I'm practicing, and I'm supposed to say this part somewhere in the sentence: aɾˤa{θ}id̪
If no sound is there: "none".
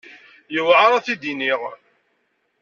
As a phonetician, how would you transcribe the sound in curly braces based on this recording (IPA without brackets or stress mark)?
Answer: θ